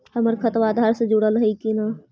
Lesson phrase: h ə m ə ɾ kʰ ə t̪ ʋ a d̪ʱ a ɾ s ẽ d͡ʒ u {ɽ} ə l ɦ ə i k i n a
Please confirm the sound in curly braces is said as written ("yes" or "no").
yes